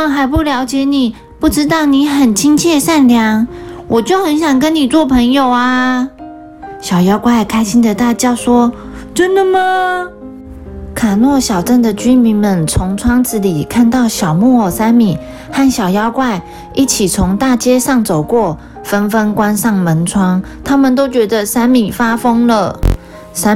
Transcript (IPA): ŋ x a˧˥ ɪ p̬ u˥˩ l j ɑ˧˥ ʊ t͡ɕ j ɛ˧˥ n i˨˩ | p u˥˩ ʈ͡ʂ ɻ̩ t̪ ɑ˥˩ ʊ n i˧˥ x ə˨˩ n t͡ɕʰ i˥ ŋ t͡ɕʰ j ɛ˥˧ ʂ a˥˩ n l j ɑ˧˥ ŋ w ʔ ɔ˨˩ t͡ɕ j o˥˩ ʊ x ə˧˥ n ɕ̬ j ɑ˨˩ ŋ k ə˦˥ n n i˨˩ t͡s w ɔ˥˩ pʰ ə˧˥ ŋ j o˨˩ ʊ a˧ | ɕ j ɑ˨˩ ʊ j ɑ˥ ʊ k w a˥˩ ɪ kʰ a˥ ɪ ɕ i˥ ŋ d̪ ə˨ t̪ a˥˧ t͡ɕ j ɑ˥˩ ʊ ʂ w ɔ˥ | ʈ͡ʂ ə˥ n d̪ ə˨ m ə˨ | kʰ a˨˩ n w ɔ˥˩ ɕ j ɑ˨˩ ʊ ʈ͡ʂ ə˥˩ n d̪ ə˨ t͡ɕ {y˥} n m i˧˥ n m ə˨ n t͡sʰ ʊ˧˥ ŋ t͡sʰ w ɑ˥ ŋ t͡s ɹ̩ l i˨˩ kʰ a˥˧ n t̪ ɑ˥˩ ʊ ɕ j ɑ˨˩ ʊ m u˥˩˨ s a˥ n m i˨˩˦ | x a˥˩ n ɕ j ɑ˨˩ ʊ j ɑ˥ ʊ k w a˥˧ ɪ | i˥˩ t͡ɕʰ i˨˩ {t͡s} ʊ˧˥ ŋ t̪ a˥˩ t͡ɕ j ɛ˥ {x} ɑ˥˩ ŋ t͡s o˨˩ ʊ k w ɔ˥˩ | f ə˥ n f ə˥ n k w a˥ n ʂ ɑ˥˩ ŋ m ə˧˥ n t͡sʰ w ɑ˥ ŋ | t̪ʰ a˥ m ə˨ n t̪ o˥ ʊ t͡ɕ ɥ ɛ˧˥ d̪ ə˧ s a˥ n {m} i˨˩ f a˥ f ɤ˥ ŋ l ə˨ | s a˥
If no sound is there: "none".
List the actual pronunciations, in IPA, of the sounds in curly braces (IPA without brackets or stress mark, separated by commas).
y˥, t͡sʰ, ʂ, m